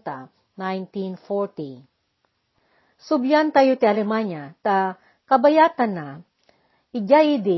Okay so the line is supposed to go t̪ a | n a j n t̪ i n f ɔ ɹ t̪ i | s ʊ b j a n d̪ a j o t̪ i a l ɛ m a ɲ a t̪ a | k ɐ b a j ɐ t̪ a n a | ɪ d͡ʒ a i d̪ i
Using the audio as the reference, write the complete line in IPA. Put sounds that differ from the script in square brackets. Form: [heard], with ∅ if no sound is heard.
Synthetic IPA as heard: t̪ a | n a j n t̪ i n f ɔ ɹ t̪ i | s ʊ b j a n [t̪] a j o t̪ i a l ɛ m a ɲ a t̪ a | k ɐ b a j [a] t̪ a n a | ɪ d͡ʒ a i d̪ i